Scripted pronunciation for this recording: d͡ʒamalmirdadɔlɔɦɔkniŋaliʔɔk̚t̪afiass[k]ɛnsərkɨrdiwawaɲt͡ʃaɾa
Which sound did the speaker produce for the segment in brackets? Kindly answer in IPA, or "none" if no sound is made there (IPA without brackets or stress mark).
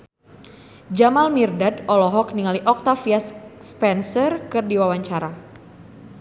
p